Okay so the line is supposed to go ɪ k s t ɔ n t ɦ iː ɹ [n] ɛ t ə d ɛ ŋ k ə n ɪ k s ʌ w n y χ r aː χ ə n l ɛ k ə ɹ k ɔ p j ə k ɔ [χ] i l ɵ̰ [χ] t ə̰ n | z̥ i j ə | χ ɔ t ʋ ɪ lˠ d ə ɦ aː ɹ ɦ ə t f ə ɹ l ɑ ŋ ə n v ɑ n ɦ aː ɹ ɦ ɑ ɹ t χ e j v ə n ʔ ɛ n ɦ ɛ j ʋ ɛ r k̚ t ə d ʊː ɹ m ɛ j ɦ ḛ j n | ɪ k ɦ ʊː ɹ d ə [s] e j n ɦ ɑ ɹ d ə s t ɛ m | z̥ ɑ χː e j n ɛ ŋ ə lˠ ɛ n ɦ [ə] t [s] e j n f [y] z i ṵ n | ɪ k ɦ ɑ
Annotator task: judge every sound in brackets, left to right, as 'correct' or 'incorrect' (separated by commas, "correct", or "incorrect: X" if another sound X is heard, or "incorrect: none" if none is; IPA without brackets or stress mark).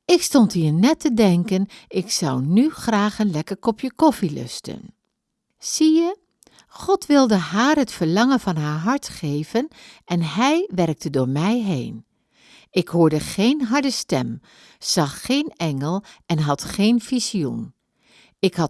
correct, incorrect: f, incorrect: s, incorrect: χ, incorrect: ɑ, incorrect: χ, incorrect: i